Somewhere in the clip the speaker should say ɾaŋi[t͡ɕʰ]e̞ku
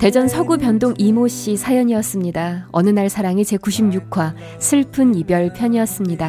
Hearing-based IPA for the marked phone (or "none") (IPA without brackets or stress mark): t͡ɕ